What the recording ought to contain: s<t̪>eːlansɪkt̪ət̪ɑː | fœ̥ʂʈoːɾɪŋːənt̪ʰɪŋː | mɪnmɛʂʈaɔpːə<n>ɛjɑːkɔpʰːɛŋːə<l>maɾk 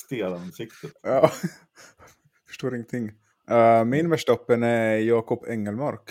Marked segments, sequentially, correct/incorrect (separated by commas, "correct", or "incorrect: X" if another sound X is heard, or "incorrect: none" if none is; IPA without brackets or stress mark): correct, correct, correct